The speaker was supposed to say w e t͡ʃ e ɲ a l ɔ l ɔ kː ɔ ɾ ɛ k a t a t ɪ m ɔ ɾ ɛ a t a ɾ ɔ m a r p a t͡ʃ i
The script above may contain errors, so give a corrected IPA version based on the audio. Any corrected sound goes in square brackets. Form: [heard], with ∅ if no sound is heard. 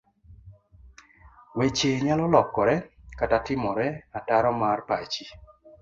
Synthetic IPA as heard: w e t͡ʃ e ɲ a l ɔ l ɔ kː ɔ ɾ ɛ k a t a t ɪ m ɔ ɾ ɛ a t a ɾ ɔ m a r p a t͡ʃ i